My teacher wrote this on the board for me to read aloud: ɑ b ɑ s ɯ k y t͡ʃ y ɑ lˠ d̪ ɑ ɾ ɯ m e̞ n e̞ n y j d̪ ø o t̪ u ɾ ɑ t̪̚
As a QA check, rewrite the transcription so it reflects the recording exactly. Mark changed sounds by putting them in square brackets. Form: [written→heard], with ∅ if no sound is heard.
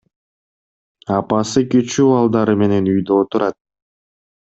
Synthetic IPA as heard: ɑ [b→p] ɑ s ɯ k y t͡ʃ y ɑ lˠ d̪ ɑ ɾ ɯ m e̞ n e̞ n y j d̪ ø o t̪ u ɾ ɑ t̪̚